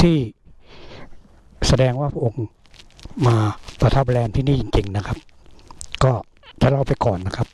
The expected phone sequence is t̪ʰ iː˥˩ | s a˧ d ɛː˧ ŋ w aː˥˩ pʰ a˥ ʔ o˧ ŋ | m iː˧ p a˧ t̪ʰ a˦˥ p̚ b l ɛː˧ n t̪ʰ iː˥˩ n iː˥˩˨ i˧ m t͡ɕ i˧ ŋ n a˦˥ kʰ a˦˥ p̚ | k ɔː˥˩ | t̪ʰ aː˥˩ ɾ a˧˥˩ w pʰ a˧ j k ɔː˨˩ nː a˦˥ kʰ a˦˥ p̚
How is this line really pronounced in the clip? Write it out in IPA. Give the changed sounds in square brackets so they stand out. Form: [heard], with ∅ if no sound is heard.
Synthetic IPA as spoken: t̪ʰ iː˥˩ | s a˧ d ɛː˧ ŋ w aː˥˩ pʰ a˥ ʔ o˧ ŋ | m [aː˧] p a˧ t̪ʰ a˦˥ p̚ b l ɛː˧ n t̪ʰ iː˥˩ n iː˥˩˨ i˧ [ŋ] t͡ɕ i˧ ŋ n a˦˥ kʰ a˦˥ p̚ | k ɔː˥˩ | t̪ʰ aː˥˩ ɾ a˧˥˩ w [p] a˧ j k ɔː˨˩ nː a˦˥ kʰ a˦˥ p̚